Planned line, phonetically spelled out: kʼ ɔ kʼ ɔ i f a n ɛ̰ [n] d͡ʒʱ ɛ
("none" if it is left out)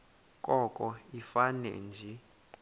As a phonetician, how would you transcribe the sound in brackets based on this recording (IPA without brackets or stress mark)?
n